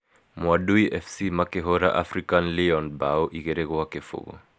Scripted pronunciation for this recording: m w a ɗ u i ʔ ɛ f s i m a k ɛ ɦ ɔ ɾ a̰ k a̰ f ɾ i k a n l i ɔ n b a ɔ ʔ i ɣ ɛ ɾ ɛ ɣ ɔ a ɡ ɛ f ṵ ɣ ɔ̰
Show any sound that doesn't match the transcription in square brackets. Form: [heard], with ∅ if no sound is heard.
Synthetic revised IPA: m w a ɗ u i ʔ ɛ f s i m a k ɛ ɦ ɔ ɾ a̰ [ʔ] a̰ f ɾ i k a n l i ɔ n b a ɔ ʔ i ɣ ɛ ɾ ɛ ɣ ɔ a [k] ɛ f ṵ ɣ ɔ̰

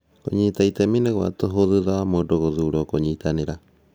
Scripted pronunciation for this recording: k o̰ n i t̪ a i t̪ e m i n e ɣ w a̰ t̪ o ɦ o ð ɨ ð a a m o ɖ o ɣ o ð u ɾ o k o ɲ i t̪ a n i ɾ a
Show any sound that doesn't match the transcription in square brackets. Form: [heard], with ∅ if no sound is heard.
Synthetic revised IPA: k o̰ [ɲ] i t̪ a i t̪ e m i n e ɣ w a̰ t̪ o ɦ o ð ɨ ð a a m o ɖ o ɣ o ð u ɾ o k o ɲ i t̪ a n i ɾ a

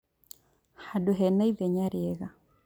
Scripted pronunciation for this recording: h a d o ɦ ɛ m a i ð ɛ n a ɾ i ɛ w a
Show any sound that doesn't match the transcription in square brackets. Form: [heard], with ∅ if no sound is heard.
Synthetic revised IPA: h a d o ɦ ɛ [n] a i ð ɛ [ɲ] a ɾ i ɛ [ɣ] a

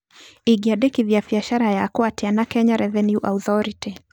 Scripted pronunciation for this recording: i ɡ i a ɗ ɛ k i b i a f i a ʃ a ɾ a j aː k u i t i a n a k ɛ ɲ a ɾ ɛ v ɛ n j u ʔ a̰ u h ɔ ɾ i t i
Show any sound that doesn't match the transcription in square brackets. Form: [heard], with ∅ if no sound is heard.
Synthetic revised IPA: i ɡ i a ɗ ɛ k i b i a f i a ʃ a ɾ a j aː k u [a] t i a n a k ɛ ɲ a ɾ ɛ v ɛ n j u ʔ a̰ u [θ] ɔ ɾ i t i

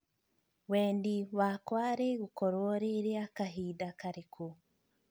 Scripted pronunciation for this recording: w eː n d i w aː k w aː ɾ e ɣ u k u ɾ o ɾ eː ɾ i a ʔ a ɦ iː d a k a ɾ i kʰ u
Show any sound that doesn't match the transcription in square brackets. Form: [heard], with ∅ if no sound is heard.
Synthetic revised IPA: w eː n d i w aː k w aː ɾ e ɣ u k [o] ɾ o ɾ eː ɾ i a [k] a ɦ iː d a k a ɾ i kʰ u

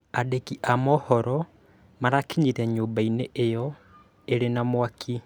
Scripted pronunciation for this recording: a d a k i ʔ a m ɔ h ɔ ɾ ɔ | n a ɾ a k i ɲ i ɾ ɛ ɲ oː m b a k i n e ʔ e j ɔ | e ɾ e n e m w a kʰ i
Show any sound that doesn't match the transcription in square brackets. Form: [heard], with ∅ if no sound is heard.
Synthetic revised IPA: a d [e] k i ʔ a m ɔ h ɔ ɾ ɔ | [m] a ɾ a k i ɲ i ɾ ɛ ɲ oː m b a [∅] i n e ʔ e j ɔ | e ɾ e n [a] m w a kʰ i

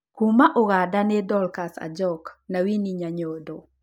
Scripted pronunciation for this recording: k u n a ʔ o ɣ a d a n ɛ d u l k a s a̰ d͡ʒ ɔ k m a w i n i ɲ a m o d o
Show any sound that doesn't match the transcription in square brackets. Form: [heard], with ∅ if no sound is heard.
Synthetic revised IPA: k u [m] a ʔ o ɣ a d a n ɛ d [ɔ] l k a s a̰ d͡ʒ ɔ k [n] a w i n i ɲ a [ɲ] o d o

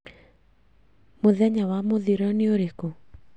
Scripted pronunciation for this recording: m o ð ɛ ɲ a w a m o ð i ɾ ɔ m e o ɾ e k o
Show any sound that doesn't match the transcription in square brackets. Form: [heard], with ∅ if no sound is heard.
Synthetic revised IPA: m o ð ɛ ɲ a w a m o ð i ɾ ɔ [n] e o ɾ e k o

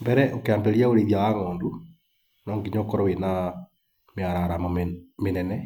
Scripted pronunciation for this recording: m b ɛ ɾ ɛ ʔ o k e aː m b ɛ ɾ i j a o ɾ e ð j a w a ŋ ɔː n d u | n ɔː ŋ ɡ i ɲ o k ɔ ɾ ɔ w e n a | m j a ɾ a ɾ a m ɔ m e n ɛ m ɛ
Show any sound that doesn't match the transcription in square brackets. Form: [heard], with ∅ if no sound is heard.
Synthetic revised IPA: m b ɛ ɾ ɛ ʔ o k e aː m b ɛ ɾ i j a o ɾ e ð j a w a ŋ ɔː n d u | n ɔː ŋ ɡ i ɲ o k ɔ ɾ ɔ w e n a | m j a ɾ a ɾ a m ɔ m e n ɛ [n] ɛ

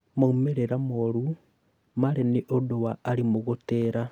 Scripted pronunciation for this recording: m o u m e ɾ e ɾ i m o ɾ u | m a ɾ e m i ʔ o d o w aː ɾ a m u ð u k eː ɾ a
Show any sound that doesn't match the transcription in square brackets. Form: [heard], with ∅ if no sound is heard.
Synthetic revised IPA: m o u m e ɾ e ɾ [a] m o ɾ u | m a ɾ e [n] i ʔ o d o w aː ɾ [i] m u [ɣ] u [t] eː ɾ a

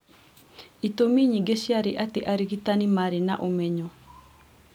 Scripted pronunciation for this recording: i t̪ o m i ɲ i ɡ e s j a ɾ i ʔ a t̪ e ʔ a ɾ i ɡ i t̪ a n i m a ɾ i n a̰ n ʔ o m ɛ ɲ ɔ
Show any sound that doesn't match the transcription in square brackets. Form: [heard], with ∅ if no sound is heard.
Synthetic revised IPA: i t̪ o m i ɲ i ɡ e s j a ɾ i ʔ a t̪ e ʔ a ɾ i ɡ i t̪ a n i m a ɾ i n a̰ [∅] ʔ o m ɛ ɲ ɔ

